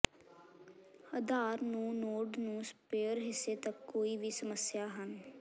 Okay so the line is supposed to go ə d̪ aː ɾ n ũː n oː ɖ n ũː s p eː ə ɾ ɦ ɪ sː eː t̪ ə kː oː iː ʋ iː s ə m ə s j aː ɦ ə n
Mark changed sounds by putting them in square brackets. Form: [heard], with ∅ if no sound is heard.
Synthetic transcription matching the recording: ə d̪ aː ɾ n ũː n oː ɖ n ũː s p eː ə ɾ ɦ ɪ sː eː t̪ ə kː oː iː ʋ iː s ə m ə s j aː ɦ ə n